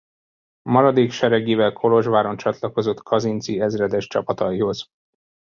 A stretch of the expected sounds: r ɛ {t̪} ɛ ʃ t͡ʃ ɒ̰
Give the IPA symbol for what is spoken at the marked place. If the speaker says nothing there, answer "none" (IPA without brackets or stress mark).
d̪